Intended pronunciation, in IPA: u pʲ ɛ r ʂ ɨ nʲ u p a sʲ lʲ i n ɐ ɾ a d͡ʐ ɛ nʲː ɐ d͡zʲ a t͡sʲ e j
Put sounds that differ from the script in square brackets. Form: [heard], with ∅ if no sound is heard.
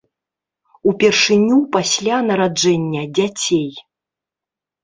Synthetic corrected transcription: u pʲ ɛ r ʂ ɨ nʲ u p a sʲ lʲ [a] n ɐ ɾ a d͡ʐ ɛ nʲː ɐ d͡zʲ a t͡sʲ e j